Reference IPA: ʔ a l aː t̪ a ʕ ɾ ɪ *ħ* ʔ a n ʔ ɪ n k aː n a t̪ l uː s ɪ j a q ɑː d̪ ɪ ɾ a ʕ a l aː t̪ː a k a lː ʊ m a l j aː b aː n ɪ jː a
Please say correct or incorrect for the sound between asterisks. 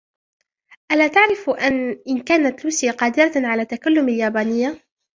incorrect